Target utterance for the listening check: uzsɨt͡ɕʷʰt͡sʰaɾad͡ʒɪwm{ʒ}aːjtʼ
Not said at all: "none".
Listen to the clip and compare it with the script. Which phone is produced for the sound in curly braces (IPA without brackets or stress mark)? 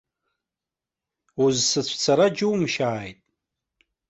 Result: ʃ